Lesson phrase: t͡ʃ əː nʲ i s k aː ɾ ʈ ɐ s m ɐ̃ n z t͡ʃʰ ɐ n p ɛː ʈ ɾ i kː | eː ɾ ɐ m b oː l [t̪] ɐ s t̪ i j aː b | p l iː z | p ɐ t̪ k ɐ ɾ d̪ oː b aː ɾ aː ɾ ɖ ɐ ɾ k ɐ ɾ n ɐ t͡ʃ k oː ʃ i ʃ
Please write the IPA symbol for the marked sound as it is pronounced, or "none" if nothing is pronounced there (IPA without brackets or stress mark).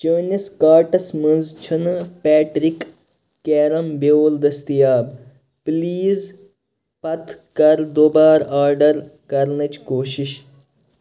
d̪